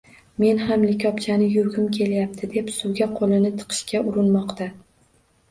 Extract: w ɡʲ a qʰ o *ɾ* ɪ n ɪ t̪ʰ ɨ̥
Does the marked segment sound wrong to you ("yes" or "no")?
yes